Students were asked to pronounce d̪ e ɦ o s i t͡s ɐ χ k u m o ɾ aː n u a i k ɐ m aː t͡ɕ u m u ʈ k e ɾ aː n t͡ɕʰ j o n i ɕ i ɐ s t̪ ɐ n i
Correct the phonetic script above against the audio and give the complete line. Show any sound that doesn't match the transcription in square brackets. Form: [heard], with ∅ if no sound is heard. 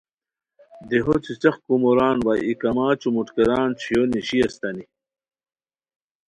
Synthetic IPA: d̪ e ɦ o [t͡s] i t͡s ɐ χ k u m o ɾ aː n [w] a i k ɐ m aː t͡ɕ u m u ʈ k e ɾ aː n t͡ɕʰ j o n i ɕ i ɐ s t̪ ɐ n i